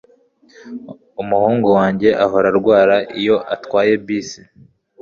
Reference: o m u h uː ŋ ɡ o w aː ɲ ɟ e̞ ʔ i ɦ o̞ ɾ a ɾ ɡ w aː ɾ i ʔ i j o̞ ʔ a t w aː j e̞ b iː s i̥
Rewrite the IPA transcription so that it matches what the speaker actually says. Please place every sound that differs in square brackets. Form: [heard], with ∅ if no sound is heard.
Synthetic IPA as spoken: [u] m u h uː ŋ ɡ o w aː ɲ ɟ e̞ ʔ [a] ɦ o̞ ɾ a ɾ ɡ w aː ɾ [a] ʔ i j o̞ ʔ a t w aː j e̞ b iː s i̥